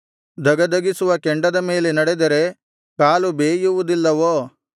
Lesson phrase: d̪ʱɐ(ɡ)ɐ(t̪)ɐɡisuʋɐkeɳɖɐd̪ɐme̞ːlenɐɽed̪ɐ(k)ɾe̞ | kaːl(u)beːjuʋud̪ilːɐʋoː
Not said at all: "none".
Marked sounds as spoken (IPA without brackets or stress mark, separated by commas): ɡ, d̪, none, u